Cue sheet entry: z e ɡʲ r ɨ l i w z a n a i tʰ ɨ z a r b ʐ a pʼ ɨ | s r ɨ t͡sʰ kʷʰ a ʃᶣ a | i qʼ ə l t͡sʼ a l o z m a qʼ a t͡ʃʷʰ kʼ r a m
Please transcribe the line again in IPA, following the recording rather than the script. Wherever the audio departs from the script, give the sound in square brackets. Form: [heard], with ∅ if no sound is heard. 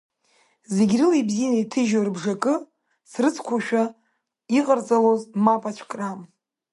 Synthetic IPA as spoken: z e ɡʲ r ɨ l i [b] z [i] n a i tʰ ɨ [ʒ] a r b ʐ a [kʼ] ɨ | s r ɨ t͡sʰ kʷʰ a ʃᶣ a | i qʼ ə [r] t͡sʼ a l o z m a [pʼ] a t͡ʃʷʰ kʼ r a m